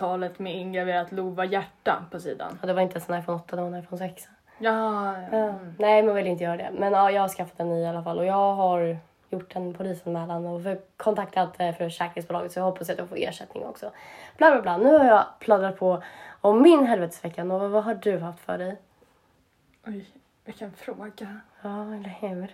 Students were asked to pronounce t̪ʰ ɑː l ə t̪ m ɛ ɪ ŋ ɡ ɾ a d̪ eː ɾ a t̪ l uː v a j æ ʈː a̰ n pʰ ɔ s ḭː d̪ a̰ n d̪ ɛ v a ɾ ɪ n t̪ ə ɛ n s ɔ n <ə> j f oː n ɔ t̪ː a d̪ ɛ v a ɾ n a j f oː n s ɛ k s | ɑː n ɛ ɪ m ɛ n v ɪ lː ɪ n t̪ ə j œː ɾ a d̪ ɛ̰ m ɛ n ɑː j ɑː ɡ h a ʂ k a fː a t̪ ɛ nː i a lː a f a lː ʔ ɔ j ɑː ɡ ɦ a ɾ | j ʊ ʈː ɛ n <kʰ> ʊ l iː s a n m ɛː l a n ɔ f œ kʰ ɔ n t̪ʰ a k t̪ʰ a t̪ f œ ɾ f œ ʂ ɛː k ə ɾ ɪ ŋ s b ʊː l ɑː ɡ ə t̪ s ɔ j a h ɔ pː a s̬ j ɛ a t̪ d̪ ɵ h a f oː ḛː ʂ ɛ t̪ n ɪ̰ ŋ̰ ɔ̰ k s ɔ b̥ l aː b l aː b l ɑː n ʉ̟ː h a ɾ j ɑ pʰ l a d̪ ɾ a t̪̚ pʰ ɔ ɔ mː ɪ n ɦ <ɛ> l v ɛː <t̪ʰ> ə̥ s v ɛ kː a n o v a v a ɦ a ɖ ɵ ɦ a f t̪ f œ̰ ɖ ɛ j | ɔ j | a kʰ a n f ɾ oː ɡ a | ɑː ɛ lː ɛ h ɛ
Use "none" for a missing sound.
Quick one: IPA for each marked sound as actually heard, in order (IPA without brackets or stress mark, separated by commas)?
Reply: a, pʰ, ɛ, t̪